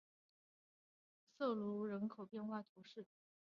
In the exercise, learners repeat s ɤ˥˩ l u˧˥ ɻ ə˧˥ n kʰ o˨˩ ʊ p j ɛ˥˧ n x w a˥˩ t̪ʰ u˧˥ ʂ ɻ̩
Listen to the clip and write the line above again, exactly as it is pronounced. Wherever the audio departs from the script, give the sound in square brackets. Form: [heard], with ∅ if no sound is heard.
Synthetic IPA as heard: s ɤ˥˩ l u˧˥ ɻ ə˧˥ n kʰ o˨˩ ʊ p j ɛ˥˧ n x w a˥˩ t̪ʰ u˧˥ ʂ ɻ̩